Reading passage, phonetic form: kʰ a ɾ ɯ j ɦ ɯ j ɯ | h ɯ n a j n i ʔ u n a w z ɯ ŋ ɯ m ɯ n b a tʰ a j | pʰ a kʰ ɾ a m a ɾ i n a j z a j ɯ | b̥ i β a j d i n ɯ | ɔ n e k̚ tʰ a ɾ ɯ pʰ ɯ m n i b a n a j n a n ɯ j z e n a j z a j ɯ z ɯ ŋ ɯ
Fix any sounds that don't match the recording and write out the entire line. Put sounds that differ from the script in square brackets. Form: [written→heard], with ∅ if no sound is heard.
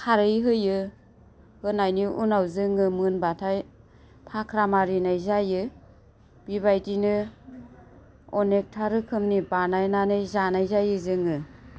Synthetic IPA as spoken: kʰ a ɾ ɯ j ɦ ɯ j ɯ | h ɯ n a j n i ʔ u n a w z ɯ ŋ ɯ m ɯ n b a tʰ a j | pʰ a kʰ ɾ a m a ɾ i n a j z a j ɯ | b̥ i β a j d i n ɯ | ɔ n e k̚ tʰ a ɾ ɯ [pʰ→kʰ] ɯ m n i b a n a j n a n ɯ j z [e→a] n a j z a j ɯ z ɯ ŋ ɯ